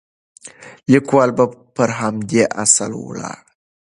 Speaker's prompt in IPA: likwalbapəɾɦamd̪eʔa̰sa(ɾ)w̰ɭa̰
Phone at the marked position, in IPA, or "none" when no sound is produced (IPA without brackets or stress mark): l